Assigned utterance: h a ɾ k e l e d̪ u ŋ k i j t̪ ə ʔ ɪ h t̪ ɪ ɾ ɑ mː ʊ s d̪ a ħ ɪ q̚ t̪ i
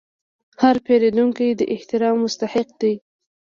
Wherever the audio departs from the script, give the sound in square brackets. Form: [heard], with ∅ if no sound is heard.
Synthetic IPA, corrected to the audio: h a ɾ [p] e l e d̪ u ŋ k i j [d̪] ə ʔ ɪ h t̪ ɪ ɾ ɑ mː ʊ s [t̪] a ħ ɪ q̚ [d̪] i